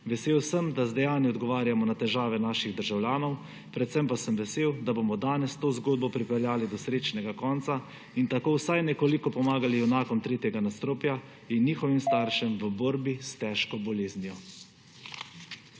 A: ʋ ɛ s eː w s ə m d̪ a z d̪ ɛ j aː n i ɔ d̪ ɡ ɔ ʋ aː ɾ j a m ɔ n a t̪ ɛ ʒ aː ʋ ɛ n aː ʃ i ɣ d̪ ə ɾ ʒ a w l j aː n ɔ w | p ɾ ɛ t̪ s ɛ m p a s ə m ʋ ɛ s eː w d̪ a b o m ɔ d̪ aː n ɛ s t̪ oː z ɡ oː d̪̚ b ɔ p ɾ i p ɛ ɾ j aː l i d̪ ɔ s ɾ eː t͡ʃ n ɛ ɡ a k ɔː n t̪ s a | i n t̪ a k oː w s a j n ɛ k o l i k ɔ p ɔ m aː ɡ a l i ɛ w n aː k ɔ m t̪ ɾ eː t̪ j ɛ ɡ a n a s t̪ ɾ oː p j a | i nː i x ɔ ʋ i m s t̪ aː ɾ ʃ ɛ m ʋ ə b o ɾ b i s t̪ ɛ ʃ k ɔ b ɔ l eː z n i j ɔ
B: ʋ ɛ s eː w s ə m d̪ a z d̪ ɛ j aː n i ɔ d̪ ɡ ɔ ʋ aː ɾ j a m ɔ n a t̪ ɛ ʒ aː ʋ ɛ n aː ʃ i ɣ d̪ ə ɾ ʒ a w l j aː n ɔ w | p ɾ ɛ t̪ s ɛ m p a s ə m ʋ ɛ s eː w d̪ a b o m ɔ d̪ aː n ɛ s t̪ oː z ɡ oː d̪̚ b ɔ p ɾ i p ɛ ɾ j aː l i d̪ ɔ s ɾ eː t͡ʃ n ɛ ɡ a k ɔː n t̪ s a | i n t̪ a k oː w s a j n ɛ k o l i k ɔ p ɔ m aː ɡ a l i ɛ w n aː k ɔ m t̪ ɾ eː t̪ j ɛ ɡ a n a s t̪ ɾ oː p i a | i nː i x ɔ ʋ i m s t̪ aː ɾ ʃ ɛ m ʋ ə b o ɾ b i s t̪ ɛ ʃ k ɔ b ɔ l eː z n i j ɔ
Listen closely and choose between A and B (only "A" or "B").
A